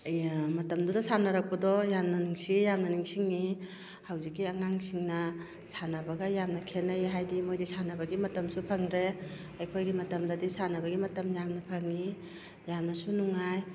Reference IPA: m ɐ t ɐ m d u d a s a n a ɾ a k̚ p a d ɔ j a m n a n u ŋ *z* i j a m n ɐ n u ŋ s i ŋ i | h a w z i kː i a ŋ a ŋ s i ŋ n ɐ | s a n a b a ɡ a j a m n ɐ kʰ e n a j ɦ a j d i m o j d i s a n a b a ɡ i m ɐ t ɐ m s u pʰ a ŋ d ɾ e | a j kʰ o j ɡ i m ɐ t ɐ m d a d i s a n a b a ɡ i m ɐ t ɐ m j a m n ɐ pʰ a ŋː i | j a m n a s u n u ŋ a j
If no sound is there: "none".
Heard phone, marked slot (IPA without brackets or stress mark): s